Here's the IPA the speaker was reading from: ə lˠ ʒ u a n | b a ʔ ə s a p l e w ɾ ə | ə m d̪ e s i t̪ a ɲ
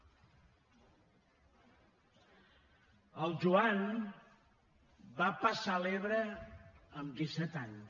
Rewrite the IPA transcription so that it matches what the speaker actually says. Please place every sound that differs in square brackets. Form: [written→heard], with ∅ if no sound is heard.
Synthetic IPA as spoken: ə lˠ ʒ u a n | b a [ʔ→p] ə s a [p→∅] l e [w→β] ɾ ə | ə m d̪ [e→i] s [i→ɛ] t̪ a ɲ